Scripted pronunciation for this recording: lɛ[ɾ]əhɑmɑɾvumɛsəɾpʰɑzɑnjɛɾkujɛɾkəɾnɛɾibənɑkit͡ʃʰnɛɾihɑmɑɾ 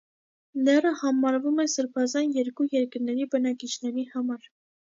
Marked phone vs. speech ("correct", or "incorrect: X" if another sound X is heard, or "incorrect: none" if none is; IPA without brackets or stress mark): incorrect: r